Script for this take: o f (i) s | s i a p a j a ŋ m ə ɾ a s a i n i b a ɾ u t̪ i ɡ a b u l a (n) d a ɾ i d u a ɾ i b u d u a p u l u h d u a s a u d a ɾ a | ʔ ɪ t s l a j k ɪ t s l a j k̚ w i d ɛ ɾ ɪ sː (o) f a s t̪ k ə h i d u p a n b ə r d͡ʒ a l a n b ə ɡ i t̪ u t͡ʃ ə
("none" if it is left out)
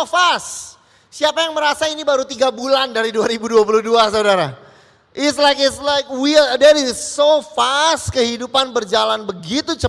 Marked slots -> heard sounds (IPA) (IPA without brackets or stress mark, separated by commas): a, n, o